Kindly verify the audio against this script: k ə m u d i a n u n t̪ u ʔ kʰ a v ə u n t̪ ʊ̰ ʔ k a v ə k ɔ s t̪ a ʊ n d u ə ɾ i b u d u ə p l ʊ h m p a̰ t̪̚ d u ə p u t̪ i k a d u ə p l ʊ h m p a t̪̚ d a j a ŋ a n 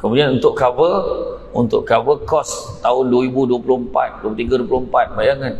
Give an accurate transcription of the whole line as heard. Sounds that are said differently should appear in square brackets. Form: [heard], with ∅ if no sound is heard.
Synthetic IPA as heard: k ə m u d i a n u n t̪ [ʊ] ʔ [k] a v ə u n t̪ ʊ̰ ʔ k a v ə k ɔ s t̪ a ʊ n d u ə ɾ i b u d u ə p l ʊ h m p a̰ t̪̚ d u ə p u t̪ i [ɡ] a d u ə p l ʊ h m p a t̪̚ [b] a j a ŋ a n